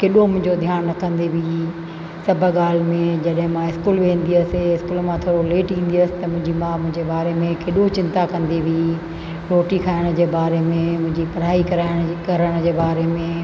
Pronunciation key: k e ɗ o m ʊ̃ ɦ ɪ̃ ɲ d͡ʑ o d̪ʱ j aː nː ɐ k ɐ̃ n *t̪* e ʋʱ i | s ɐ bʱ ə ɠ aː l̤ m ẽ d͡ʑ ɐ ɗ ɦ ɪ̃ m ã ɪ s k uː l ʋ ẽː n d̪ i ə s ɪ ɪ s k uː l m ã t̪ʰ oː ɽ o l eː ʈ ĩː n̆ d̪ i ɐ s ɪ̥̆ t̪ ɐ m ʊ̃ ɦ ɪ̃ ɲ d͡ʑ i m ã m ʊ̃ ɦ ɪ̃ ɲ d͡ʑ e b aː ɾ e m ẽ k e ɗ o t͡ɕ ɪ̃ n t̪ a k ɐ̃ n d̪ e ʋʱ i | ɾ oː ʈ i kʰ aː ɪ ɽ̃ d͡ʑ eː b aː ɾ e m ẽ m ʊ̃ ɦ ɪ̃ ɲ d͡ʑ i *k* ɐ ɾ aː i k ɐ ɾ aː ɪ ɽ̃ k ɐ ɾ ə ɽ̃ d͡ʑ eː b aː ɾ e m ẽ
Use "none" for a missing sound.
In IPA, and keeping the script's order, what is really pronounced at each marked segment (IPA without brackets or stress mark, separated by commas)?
d̪, p